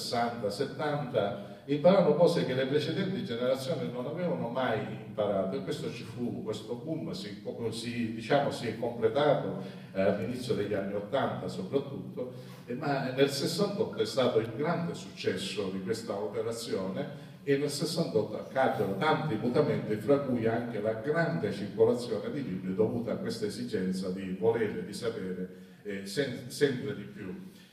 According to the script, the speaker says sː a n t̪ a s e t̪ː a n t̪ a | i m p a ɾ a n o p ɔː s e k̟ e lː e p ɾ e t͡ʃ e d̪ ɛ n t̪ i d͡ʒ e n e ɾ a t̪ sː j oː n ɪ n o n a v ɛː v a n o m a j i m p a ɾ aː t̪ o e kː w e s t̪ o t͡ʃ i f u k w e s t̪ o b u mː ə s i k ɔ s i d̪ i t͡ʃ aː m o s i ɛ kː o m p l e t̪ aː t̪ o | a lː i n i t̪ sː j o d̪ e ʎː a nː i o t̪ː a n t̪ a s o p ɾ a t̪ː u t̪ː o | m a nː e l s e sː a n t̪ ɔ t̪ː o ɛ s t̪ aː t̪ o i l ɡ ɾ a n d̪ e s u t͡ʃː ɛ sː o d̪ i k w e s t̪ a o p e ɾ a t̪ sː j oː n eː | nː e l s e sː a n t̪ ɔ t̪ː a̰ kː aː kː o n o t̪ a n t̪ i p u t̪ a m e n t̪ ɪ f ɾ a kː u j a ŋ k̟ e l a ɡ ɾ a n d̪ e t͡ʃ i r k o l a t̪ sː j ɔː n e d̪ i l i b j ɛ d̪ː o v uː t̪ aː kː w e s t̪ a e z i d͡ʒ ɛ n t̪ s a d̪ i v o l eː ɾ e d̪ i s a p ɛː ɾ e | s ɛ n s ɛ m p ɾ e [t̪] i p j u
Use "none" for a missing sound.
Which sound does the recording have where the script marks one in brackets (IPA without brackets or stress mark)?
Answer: d̪